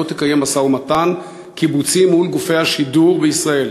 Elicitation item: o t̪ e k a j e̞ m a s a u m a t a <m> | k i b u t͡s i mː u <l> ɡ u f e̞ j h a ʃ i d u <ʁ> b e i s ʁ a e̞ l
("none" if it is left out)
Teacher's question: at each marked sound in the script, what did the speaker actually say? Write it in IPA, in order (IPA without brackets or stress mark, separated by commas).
n, l, ʁ